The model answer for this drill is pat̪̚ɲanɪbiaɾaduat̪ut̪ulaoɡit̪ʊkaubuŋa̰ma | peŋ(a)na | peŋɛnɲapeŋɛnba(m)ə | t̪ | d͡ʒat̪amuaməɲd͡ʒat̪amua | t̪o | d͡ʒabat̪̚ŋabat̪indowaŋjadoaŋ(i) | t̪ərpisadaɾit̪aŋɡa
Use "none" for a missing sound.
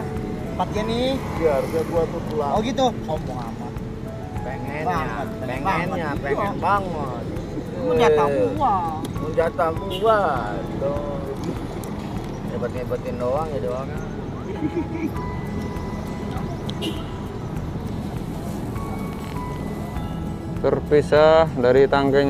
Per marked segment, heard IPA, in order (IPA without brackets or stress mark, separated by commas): ɛ, ŋ, a